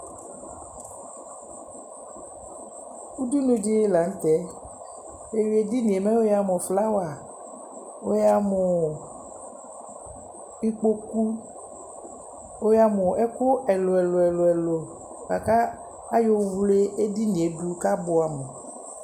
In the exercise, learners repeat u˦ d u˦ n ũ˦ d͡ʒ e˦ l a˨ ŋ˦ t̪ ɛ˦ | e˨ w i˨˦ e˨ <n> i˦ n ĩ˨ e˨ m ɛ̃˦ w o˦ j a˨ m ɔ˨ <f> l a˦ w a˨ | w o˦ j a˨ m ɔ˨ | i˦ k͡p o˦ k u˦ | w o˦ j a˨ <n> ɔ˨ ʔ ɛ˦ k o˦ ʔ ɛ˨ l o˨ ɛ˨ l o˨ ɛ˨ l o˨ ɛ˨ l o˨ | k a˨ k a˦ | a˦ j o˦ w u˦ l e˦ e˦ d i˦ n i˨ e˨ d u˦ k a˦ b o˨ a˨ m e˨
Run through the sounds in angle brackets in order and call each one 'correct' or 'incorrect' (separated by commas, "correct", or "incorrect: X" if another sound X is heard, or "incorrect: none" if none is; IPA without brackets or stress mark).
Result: incorrect: d, correct, incorrect: m